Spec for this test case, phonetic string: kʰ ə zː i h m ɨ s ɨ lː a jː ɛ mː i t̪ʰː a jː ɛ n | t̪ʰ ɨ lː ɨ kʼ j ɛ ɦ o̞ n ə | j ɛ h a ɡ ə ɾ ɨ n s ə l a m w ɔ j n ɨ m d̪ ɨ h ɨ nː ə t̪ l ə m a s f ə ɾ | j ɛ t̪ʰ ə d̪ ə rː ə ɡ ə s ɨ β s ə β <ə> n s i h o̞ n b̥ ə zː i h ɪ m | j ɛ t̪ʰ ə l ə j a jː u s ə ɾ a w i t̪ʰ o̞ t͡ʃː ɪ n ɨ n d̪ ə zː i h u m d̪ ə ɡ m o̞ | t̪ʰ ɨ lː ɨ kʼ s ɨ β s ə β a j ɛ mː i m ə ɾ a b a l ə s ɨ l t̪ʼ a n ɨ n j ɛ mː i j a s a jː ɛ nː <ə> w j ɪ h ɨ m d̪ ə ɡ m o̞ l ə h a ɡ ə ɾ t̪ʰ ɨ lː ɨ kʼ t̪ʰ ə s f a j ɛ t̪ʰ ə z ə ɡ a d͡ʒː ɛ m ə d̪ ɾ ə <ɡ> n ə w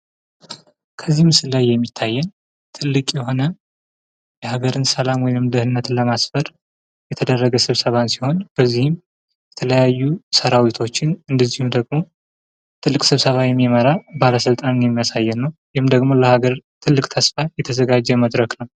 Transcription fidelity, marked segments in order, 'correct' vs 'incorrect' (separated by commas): incorrect, correct, incorrect